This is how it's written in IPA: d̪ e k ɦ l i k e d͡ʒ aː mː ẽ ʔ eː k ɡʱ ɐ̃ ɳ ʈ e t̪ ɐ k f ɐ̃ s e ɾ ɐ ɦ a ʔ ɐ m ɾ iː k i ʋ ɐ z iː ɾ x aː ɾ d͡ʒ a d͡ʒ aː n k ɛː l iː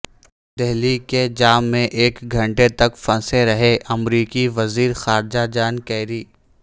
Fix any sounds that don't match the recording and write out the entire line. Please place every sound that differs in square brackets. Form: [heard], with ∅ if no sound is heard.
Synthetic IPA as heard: d̪ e [∅] ɦ l i k e d͡ʒ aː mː ẽ ʔ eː k ɡʱ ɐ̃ ɳ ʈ e t̪ ɐ k f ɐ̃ s e ɾ ɐ ɦ [e] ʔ ɐ m ɾ iː k i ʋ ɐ z iː ɾ x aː ɾ d͡ʒ a d͡ʒ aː n k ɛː [ɾ] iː